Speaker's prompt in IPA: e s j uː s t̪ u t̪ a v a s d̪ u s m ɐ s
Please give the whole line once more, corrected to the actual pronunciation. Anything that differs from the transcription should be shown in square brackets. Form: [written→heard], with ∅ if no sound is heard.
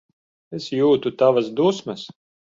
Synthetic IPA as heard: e s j uː [s→∅] t̪ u t̪ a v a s d̪ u s m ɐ s